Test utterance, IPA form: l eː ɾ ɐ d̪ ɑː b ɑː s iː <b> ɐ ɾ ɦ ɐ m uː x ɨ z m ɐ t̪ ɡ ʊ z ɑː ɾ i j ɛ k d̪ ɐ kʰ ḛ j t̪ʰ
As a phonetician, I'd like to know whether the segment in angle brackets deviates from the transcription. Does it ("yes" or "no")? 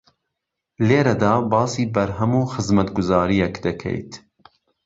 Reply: no